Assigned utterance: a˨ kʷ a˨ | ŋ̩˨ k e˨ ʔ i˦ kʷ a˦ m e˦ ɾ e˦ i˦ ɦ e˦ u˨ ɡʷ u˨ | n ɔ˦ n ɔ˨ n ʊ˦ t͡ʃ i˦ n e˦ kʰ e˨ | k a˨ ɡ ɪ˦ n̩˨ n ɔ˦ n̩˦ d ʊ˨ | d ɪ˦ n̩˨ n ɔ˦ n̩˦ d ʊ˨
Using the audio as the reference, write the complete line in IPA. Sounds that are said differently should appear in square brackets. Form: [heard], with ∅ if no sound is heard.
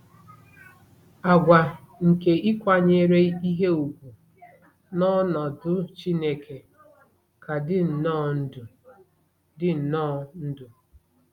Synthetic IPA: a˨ [ɡʷ] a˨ | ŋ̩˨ k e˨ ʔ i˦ kʷ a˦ [ɲ] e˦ ɾ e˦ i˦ ɦ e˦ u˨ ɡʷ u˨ | n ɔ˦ n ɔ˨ [d] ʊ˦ t͡ʃ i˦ n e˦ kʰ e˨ | k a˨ [d] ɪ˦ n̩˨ n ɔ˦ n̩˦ d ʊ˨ | d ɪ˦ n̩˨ n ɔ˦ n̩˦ d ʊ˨

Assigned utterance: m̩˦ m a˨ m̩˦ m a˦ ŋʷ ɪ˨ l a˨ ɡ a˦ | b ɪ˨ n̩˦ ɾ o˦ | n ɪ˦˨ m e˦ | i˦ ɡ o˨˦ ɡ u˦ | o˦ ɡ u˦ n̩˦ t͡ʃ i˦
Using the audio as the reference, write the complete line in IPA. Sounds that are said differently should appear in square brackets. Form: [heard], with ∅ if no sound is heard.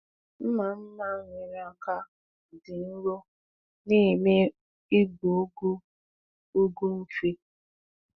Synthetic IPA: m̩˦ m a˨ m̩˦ m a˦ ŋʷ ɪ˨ [ɾ] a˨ [k] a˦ | [d] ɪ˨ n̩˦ ɾ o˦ | n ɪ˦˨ m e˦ | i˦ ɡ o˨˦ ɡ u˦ | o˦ ɡ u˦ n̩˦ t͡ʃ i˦

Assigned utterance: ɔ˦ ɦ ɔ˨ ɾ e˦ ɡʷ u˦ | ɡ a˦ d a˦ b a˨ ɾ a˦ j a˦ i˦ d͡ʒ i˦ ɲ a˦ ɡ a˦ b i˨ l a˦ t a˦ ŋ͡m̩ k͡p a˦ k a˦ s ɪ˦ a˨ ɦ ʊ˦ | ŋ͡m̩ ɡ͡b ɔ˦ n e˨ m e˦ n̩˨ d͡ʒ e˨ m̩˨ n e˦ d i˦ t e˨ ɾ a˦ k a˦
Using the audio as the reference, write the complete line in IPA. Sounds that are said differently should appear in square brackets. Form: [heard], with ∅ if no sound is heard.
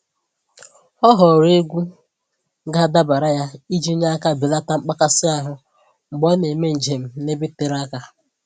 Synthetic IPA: ɔ˦ ɦ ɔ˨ ɾ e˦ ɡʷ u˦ | ɡ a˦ d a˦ b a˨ ɾ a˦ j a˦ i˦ d͡ʒ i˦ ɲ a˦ [k] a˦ b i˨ l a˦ t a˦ ŋ͡m̩ k͡p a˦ k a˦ s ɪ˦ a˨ ɦ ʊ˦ | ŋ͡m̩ ɡ͡b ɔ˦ n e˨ m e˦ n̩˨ d͡ʒ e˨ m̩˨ n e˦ [b] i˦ t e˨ ɾ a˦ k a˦

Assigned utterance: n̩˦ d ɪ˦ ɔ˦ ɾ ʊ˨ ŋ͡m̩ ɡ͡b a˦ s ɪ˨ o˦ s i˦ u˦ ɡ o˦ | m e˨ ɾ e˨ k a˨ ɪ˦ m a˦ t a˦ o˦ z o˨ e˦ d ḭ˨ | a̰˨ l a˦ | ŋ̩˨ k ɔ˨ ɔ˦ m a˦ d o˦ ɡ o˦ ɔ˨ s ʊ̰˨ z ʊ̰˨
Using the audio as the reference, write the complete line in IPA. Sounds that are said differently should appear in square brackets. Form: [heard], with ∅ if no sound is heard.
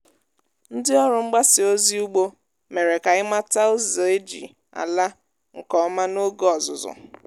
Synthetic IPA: n̩˦ d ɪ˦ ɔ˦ ɾ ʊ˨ ŋ͡m̩ ɡ͡b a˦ s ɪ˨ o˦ [z] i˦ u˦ [ɡ͡b] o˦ | m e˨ ɾ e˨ k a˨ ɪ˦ m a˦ t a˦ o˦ z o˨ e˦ [d͡ʒ] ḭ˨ | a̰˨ l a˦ | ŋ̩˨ k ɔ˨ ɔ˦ m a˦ [n] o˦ ɡ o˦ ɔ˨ [z] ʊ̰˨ z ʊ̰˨

